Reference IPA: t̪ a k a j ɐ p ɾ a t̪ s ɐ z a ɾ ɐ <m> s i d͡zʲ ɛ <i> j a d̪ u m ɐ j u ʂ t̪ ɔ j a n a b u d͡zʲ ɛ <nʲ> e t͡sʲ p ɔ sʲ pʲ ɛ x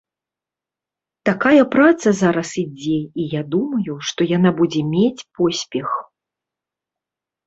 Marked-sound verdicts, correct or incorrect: incorrect, correct, incorrect

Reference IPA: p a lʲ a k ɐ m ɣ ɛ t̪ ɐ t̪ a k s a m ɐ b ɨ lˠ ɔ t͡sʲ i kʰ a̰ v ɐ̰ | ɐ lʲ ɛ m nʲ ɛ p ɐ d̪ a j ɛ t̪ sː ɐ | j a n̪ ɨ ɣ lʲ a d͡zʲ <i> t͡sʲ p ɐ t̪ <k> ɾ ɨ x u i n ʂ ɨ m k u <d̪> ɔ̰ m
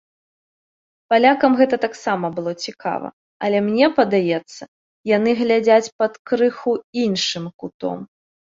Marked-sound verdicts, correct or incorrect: incorrect, correct, incorrect

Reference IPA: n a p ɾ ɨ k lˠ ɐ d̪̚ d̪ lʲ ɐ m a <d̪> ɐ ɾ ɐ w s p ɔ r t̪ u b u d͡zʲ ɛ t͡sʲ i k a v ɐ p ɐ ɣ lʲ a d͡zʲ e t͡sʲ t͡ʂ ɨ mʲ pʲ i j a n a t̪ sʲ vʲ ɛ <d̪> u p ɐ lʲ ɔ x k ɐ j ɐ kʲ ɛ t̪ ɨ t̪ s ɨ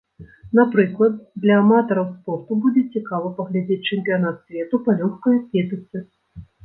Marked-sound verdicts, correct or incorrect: incorrect, incorrect

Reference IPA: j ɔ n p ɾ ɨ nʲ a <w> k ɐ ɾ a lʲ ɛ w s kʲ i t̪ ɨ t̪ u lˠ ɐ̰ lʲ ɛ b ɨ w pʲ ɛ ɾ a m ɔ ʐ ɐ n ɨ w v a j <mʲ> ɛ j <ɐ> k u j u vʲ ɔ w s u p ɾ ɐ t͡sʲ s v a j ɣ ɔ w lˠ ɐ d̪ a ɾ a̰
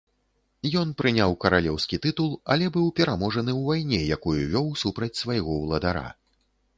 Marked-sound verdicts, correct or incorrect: correct, incorrect, incorrect

